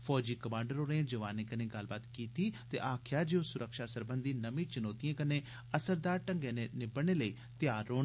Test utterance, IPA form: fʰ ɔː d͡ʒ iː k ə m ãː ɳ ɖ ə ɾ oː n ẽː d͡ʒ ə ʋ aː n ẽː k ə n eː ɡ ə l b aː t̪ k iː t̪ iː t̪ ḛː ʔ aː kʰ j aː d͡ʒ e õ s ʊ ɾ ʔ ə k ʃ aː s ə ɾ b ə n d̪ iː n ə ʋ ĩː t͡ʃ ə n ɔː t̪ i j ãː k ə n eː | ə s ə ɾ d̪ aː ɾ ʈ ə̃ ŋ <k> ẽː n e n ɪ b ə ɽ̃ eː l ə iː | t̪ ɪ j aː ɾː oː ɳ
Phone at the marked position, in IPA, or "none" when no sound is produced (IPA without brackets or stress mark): ɡ